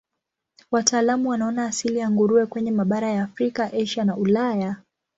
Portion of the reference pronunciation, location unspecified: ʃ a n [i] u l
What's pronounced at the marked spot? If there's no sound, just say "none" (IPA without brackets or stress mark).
a